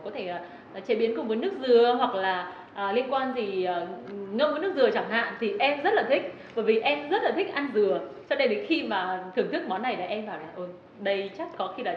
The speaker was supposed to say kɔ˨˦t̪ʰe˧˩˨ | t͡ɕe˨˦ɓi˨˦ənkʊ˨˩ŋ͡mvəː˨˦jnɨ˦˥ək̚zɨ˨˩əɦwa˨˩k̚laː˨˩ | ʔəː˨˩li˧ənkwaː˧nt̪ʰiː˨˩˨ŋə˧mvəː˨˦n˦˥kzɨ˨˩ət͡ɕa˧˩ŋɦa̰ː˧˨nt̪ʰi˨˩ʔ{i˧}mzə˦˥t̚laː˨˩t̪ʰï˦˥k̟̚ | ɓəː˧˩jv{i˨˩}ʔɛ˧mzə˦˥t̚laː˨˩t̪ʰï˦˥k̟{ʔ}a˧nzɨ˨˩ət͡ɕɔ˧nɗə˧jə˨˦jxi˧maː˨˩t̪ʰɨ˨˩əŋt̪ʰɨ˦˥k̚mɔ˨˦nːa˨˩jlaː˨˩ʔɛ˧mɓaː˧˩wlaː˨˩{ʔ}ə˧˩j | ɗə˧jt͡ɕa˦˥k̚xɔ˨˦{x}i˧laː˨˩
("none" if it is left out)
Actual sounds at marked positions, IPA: ɛ˧, i˨˩, ʔ, ʔ, x

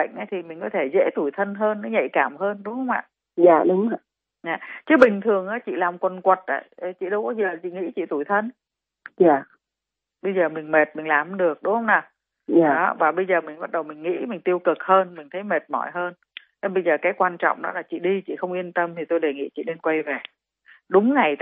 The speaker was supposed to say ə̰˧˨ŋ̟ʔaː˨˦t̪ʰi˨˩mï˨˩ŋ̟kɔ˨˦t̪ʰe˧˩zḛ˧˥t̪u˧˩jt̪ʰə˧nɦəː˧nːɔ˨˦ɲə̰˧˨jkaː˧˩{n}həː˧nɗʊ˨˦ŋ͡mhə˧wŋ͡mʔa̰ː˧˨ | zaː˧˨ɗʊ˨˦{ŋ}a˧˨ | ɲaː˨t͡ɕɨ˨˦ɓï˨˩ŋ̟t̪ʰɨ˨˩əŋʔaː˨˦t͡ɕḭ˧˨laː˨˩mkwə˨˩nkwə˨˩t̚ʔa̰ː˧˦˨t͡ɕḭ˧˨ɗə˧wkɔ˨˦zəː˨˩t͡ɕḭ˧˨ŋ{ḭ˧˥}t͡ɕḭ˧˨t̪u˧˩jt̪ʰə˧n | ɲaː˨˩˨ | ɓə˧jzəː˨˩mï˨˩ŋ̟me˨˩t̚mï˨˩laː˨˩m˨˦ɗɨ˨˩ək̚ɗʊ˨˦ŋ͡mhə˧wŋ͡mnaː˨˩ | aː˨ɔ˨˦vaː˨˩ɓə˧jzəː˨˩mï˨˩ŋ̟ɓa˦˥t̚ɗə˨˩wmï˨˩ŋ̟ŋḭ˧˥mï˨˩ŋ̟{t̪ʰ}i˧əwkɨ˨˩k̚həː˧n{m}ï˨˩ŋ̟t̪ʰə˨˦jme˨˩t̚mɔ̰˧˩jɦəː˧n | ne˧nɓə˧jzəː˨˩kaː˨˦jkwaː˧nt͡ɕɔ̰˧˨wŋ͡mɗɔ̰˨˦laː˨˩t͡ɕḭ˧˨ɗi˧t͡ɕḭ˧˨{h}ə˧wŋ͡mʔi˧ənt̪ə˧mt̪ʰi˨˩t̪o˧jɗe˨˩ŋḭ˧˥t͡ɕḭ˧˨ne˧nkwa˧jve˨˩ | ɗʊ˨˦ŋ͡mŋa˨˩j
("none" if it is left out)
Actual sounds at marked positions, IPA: m, ŋ͡m, ḭ˧˥, t̪, m, x

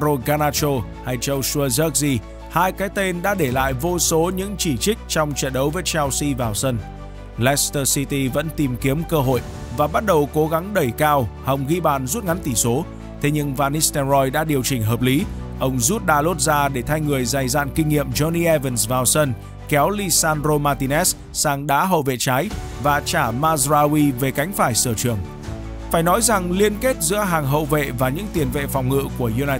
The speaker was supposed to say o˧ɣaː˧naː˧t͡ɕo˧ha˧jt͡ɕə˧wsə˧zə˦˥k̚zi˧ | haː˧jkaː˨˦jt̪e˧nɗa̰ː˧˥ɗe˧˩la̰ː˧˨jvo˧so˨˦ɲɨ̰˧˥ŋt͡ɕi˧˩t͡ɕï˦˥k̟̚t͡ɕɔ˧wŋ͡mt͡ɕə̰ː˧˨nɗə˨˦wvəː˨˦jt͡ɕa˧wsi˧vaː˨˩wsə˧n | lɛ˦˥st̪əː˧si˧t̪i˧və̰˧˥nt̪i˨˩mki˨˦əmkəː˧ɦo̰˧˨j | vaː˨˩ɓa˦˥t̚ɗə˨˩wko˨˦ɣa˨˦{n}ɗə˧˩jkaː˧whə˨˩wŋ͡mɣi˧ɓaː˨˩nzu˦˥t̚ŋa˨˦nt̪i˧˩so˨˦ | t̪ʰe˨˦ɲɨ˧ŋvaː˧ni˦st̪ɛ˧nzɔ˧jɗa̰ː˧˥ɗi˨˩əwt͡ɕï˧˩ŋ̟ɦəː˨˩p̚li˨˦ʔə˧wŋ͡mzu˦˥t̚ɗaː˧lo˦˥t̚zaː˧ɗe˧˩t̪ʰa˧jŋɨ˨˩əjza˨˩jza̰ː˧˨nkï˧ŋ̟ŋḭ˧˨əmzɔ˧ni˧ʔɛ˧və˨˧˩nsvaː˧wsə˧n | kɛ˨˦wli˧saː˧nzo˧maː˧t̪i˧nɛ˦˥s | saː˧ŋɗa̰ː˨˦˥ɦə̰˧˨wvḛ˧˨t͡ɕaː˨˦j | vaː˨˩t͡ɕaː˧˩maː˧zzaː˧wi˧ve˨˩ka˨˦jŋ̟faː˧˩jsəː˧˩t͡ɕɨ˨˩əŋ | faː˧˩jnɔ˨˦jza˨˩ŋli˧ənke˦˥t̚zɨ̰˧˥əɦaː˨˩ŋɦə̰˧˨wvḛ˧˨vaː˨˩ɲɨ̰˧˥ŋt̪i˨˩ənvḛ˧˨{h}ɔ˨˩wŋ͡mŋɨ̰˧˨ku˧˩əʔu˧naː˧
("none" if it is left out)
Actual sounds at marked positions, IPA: ŋ, f

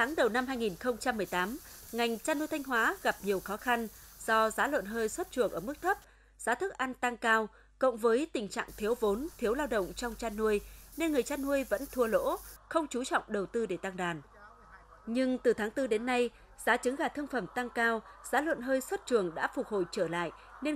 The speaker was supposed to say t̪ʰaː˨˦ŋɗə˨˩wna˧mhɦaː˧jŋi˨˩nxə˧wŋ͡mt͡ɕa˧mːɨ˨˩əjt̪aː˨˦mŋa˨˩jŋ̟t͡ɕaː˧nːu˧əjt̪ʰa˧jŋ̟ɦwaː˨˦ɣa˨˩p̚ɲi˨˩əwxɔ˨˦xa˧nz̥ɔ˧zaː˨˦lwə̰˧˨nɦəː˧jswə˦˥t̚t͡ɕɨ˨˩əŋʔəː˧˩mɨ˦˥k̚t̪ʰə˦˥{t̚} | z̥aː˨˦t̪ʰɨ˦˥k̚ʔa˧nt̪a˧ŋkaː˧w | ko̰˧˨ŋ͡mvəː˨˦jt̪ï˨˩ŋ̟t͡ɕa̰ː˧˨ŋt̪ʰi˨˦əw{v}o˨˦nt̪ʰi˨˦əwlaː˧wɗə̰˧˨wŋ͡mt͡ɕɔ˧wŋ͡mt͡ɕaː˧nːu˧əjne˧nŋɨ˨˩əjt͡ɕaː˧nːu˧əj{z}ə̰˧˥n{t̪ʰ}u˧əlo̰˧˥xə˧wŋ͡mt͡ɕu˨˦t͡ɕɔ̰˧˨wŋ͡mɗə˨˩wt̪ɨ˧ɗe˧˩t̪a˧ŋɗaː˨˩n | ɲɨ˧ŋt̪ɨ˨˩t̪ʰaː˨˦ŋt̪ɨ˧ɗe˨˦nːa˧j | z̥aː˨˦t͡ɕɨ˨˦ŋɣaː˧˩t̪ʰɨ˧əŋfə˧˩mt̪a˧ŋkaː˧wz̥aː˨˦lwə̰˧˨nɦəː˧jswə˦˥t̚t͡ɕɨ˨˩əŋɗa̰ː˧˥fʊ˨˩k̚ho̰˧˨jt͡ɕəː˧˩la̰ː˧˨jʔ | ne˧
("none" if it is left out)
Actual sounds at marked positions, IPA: p̚, v, v, t̪ʰ

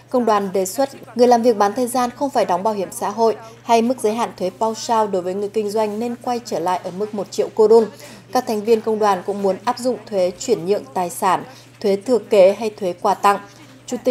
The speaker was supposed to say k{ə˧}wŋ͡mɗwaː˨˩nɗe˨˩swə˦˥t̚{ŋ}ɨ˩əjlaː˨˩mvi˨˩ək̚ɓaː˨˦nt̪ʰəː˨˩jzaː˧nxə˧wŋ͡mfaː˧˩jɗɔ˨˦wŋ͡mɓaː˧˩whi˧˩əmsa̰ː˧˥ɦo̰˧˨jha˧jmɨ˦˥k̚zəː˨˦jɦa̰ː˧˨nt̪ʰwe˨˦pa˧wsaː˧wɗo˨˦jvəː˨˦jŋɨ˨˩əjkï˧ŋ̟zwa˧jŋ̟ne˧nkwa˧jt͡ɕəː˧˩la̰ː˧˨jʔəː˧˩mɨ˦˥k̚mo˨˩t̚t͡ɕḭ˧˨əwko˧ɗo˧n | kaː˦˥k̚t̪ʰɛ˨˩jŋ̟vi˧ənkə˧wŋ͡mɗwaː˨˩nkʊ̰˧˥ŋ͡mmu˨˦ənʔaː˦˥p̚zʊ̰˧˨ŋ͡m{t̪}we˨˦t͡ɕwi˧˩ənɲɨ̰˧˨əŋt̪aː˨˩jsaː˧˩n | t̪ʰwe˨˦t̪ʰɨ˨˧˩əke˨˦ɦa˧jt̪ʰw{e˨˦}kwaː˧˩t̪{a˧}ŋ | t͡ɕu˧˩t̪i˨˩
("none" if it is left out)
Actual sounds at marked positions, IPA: ə˧, ŋ, t̪ʰ, e˨˦, a˧

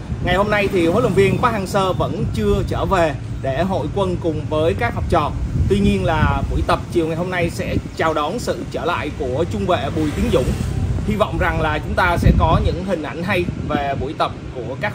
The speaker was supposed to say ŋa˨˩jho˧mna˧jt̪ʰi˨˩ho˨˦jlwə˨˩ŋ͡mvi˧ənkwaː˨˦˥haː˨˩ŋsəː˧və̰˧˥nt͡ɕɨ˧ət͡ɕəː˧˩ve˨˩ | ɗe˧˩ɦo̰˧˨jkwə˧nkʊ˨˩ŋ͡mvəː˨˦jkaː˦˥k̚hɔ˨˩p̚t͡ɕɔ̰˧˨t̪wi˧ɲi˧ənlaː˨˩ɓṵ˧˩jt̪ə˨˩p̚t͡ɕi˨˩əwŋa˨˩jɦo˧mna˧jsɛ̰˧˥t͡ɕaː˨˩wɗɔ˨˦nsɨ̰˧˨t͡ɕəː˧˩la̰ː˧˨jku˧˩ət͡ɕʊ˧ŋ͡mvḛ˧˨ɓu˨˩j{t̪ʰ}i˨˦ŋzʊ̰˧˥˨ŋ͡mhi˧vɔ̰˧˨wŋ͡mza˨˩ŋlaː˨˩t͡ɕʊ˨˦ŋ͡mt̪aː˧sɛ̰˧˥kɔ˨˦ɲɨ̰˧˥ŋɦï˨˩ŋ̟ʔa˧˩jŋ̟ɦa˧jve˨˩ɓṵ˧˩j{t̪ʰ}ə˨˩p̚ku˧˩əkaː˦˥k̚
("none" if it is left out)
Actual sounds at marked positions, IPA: t̪, t̪

